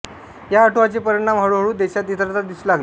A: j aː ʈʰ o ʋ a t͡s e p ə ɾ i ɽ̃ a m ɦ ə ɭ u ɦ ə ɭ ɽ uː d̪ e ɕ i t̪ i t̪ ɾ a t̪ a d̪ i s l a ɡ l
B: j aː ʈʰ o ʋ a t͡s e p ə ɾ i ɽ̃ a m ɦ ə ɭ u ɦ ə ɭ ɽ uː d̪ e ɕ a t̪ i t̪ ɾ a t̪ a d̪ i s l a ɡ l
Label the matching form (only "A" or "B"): B